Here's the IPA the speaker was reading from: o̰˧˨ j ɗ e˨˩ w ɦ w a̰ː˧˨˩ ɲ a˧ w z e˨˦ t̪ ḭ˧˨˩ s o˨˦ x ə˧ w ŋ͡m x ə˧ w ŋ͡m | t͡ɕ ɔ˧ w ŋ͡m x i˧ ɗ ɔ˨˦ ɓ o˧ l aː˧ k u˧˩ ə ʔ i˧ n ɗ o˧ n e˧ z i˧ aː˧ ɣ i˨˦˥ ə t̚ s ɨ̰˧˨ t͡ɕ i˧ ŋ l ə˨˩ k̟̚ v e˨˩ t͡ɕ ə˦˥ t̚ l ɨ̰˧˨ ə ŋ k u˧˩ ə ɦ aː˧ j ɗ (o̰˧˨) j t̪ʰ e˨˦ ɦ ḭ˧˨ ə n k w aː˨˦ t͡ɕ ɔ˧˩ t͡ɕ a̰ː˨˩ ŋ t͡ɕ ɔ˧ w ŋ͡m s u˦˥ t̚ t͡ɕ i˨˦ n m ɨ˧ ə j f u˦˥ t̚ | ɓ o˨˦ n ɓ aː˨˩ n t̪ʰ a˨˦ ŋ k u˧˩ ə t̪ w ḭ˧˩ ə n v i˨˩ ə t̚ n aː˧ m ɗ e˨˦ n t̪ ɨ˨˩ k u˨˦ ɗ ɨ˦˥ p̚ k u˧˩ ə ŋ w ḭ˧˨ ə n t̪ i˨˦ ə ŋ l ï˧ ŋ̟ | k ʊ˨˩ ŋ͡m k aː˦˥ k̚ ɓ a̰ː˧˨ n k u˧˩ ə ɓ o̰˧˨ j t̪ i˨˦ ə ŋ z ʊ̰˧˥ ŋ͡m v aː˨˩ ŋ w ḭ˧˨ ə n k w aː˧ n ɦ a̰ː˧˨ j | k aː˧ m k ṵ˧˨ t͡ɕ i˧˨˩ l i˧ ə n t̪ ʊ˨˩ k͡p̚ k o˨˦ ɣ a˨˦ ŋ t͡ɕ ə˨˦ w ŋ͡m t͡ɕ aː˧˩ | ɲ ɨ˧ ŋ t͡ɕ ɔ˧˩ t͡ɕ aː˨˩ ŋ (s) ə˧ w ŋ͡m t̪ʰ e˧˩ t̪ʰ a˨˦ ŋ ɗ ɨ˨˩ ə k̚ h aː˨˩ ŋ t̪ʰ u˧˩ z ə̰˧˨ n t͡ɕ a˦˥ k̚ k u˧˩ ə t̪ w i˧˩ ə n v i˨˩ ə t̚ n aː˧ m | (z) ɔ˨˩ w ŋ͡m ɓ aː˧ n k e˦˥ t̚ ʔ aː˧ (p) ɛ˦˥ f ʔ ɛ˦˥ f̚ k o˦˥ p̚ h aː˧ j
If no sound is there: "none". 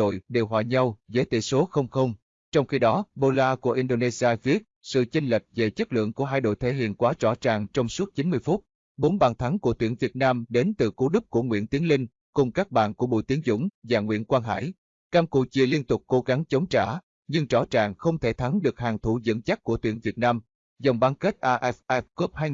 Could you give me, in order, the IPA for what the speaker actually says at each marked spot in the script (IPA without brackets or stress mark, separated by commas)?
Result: o̰˧˨, x, z, ʔ